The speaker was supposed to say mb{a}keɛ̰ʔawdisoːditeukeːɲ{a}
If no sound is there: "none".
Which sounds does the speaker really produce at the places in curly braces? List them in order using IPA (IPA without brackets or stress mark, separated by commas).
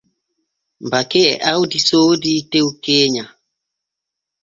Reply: a, a